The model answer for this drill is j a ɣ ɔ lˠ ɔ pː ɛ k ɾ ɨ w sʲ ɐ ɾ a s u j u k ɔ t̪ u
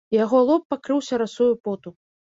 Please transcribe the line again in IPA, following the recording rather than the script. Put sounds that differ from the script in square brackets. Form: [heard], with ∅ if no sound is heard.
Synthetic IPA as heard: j a ɣ ɔ lˠ ɔ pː [a] k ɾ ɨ w sʲ ɐ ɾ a s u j u [p] ɔ t̪ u